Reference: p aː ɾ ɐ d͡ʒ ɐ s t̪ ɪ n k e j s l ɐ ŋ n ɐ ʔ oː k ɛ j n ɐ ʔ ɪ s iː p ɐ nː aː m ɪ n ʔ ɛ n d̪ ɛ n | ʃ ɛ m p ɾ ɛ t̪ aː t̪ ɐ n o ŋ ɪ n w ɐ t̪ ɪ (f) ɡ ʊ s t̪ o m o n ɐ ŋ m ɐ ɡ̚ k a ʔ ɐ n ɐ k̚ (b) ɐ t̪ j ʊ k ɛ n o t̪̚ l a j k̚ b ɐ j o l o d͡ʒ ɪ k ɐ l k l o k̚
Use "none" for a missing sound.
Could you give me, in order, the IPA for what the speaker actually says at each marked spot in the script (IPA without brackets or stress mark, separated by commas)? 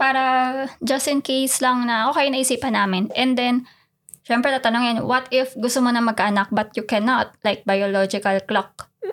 f, b